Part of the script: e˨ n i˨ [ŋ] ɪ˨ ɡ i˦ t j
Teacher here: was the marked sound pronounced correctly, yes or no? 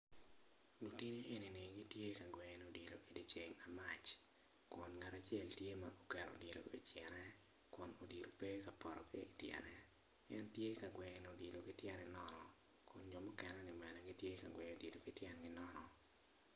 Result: no